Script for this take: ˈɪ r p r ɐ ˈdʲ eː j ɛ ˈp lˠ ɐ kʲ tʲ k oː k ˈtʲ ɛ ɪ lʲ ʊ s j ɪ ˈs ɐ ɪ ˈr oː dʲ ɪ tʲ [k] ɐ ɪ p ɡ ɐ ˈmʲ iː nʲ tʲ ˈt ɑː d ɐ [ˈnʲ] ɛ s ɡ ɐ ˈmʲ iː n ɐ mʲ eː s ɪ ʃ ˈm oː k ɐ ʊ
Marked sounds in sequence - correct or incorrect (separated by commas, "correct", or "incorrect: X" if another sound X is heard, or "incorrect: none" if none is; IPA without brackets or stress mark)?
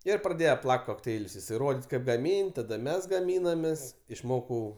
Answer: correct, incorrect: mʲ